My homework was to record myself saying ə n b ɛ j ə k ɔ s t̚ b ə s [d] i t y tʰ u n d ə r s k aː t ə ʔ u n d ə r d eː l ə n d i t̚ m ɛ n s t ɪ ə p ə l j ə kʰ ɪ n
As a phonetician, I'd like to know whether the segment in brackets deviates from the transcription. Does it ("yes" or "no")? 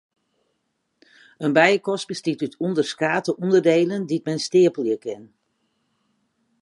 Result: yes